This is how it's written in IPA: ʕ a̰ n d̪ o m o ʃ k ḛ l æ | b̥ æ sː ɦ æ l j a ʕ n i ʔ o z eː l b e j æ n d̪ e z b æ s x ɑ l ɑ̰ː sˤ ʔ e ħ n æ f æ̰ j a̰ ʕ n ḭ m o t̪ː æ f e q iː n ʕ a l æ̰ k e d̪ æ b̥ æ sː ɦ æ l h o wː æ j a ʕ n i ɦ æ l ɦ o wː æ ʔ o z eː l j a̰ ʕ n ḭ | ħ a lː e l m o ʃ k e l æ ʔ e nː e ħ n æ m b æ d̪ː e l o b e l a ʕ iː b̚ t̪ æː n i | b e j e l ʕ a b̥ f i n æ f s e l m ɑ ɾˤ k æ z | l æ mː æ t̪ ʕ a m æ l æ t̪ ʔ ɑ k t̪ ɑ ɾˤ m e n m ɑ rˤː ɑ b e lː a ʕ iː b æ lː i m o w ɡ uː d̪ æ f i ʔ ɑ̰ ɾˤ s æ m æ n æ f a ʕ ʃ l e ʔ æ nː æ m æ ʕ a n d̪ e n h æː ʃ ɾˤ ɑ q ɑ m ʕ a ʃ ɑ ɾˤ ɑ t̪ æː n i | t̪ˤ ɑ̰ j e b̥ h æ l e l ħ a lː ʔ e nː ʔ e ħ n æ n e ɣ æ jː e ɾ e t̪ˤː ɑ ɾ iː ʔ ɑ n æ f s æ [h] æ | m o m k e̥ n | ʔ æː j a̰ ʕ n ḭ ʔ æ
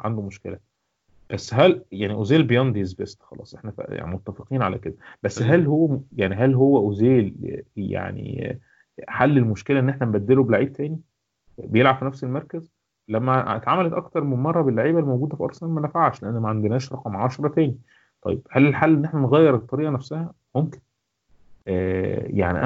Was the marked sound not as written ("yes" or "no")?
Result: no